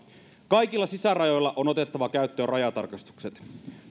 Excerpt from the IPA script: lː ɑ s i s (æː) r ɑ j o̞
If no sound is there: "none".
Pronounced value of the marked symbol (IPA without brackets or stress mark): æ